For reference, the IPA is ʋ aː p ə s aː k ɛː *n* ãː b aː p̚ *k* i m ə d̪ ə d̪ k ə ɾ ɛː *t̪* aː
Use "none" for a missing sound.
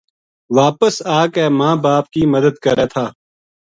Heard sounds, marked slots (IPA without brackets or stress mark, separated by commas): m, k, t̪ʰ